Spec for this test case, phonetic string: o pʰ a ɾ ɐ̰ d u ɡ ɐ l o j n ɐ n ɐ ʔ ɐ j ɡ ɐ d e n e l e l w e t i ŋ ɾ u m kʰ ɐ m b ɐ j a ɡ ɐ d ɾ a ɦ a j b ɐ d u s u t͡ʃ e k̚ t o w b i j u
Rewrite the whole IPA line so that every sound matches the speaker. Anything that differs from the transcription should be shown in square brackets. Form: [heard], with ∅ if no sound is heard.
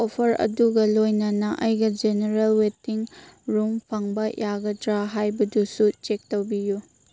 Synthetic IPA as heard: o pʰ [ɐ] ɾ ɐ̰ d u ɡ ɐ l o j n ɐ n ɐ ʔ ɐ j ɡ ɐ [d͡ʒ] e n e [ɾ] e l w e t i ŋ ɾ u m [pʰ] ɐ [ŋ] b ɐ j a ɡ ɐ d ɾ a ɦ a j b ɐ d u s u t͡ʃ e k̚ t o w b i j u